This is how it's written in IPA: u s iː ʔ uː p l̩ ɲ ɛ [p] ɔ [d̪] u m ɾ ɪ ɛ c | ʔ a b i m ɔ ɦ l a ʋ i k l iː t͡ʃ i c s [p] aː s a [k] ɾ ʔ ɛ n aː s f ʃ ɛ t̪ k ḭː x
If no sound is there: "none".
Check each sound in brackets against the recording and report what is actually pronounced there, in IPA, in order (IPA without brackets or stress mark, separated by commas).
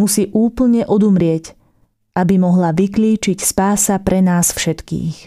ʔ, d̪, p, p